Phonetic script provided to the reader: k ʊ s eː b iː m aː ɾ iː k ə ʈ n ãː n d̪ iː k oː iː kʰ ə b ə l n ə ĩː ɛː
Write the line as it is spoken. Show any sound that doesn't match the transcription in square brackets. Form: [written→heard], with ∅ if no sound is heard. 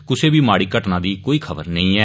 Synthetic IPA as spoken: k ʊ s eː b iː m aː [ɾ→ɽ] iː k ə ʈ n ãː [n→∅] d̪ iː k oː iː kʰ ə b ə [l→ɾ] n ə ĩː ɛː